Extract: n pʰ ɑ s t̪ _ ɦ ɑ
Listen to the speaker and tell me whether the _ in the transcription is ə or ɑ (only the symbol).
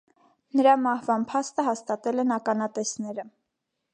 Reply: ə